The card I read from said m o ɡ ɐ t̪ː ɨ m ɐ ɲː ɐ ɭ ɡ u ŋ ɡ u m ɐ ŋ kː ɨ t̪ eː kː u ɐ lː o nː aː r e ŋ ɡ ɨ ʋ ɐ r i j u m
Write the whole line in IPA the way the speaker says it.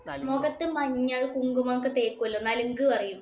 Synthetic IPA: m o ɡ ɐ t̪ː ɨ m ɐ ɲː ɐ ɭ k u ŋ ɡ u m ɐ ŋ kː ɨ t̪ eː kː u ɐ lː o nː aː l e ŋ ɡ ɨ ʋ ɐ r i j u m